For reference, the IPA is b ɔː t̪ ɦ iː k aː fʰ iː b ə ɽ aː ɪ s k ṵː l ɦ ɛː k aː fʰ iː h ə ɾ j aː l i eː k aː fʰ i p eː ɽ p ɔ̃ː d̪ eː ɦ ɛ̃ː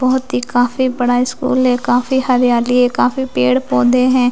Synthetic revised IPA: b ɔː t̪ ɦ iː k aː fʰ iː b ə ɽ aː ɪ s k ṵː l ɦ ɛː k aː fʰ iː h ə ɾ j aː l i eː k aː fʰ iː p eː ɽ p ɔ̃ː d̪ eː ɦ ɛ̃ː